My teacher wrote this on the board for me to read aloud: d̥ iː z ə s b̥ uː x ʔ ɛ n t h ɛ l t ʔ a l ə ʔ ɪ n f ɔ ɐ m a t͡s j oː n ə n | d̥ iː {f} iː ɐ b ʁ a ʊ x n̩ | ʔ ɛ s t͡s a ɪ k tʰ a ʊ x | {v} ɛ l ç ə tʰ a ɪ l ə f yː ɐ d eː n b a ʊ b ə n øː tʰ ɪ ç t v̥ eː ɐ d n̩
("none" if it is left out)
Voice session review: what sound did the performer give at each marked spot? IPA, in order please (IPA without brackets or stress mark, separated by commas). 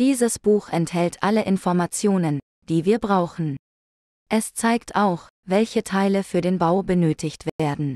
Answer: v, v